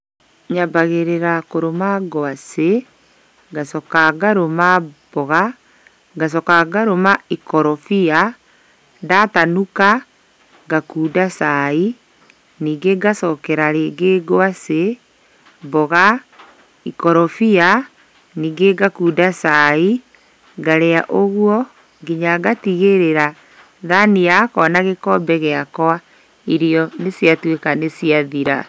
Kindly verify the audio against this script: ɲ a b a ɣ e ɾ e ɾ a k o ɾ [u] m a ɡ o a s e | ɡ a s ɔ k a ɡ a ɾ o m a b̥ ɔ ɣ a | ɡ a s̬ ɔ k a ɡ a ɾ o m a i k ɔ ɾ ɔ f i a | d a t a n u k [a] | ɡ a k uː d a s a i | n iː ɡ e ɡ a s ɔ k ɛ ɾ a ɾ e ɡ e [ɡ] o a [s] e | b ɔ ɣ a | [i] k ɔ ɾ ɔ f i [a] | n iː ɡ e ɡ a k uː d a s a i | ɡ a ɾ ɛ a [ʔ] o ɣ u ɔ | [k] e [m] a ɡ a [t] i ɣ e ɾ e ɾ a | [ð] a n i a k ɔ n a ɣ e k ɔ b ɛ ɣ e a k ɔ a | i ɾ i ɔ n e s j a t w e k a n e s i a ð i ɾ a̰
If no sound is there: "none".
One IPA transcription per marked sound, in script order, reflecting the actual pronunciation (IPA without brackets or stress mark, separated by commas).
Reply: o, a, ɡ, s, i, a, ʔ, ɡ, ɲ, t, ð